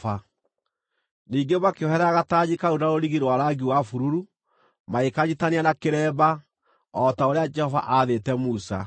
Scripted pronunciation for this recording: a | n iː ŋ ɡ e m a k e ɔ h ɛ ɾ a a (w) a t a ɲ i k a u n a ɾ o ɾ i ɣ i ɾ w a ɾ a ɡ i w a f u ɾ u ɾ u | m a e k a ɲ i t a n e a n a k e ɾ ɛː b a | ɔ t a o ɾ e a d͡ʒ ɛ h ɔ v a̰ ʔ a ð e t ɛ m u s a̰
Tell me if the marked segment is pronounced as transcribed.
no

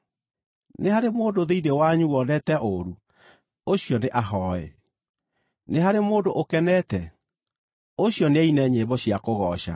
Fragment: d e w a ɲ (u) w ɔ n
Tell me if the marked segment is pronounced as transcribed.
yes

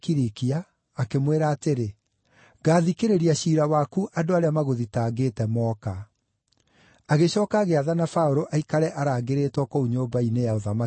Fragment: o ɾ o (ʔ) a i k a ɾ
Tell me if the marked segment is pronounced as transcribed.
yes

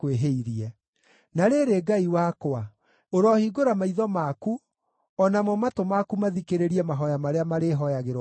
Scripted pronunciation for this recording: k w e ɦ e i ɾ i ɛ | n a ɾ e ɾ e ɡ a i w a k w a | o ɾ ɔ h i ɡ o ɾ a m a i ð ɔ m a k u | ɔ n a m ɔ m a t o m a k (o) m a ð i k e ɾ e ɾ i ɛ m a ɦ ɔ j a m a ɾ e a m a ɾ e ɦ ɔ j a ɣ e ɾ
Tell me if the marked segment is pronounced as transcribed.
no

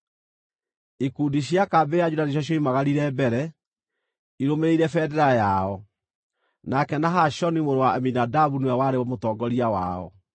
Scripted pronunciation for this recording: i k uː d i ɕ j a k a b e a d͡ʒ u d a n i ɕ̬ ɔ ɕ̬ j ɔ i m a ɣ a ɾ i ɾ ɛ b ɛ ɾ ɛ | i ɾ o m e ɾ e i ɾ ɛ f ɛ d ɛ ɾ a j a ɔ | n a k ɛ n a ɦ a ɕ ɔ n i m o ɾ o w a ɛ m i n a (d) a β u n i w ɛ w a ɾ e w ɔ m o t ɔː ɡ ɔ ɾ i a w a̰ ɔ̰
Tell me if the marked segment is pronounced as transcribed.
yes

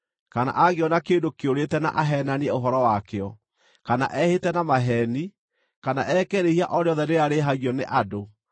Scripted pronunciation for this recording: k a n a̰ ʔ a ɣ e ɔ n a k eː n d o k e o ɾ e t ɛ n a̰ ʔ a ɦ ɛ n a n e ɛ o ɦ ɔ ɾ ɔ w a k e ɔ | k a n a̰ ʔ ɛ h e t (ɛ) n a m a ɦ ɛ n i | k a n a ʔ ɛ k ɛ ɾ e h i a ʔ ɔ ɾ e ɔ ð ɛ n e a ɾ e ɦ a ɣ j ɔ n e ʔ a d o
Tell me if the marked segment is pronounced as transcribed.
yes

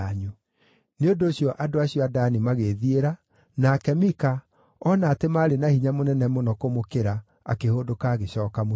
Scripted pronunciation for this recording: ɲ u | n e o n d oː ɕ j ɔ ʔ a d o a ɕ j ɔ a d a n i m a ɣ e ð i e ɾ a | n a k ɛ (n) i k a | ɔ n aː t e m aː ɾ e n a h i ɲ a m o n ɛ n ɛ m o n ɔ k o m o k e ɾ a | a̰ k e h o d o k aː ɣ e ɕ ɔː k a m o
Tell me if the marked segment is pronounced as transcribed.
no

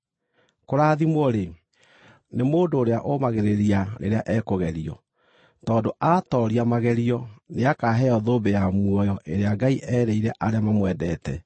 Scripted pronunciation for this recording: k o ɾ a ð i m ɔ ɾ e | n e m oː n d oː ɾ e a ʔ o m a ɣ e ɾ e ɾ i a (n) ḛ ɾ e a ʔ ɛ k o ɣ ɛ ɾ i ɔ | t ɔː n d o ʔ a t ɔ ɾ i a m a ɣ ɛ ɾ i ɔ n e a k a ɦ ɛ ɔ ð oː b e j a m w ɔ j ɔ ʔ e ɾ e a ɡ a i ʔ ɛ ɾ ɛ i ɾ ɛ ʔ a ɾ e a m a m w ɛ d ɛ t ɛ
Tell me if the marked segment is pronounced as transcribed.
yes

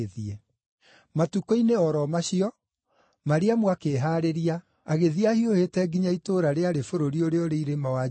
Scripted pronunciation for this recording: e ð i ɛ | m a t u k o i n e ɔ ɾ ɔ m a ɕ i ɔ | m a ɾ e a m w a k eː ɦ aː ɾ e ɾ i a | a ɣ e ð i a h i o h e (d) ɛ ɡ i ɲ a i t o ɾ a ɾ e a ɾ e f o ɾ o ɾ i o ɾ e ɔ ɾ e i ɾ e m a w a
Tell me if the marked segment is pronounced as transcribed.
no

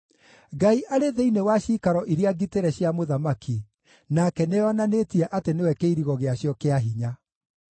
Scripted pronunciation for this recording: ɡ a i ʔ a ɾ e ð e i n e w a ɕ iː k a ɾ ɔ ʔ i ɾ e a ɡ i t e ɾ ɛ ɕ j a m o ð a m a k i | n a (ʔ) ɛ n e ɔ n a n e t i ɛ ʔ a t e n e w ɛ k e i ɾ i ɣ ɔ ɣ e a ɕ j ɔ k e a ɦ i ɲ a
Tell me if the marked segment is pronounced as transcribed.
no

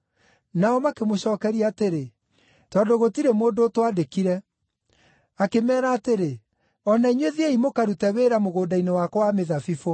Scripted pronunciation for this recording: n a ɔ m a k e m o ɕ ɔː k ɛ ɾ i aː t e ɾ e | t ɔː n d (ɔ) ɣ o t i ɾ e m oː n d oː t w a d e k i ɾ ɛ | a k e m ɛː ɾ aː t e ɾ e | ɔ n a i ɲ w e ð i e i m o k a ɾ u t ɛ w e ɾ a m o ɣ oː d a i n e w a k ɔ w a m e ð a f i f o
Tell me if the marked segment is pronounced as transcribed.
no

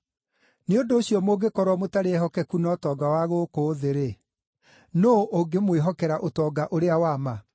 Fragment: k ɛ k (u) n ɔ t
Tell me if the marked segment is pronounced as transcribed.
yes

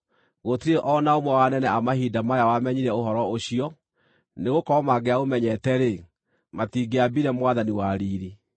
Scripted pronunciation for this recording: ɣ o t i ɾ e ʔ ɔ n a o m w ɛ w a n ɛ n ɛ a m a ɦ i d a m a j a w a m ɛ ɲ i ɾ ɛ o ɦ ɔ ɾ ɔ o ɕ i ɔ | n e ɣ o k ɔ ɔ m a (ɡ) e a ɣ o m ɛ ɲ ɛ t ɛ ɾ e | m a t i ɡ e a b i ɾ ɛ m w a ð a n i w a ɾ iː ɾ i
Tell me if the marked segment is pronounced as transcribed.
yes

